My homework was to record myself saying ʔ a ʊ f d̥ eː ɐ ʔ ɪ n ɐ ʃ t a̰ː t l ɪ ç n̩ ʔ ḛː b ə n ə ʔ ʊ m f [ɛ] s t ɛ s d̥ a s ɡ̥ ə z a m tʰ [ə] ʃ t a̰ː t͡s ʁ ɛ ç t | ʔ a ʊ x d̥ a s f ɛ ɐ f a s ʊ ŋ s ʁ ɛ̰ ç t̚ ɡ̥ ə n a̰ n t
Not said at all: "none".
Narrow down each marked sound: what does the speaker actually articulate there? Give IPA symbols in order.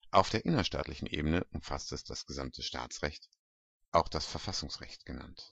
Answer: a, ə

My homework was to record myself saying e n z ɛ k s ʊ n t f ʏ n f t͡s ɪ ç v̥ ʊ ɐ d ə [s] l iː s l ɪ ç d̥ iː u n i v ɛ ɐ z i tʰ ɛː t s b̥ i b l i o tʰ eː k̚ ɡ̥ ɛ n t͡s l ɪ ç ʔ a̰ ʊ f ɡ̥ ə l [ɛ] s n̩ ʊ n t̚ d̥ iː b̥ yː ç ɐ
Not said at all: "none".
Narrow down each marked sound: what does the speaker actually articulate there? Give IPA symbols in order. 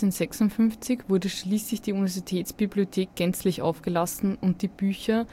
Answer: ʃ, a

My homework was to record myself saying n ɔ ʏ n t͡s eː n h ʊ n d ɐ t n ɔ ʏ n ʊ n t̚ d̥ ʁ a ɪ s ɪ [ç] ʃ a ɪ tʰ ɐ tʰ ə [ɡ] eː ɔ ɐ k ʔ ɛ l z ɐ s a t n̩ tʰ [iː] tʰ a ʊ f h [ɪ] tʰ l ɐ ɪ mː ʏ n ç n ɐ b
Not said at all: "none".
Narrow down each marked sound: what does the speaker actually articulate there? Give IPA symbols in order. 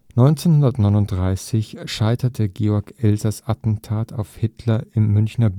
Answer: ç, ɡ, aː, ɪ

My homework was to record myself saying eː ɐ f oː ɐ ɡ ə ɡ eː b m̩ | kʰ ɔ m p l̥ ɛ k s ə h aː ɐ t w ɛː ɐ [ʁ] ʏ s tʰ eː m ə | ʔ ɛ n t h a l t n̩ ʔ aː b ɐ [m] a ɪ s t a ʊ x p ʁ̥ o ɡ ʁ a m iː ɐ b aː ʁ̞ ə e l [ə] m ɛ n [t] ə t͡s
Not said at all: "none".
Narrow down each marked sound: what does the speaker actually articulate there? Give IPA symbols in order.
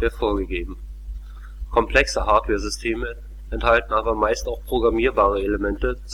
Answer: z, m, ə, t

